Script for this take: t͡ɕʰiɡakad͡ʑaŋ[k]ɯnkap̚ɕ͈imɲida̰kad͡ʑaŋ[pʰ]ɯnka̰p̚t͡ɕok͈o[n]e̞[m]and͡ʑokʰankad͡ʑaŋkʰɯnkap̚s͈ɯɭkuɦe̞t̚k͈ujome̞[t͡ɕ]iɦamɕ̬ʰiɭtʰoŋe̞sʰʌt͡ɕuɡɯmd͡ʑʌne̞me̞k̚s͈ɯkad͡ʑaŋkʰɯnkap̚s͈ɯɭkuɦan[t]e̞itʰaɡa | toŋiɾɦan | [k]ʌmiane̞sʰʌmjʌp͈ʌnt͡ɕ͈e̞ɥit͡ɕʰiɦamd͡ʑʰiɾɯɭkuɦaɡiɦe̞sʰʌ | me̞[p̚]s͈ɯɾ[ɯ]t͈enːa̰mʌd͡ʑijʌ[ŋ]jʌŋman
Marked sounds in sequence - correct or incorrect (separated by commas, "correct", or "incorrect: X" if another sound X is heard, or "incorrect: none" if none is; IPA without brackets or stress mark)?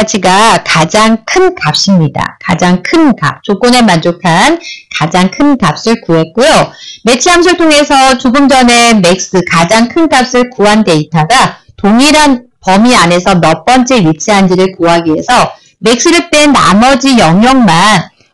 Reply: incorrect: kʰ, incorrect: kʰ, correct, correct, incorrect: t͡ɕʰ, incorrect: d, incorrect: p, incorrect: k̚, correct, correct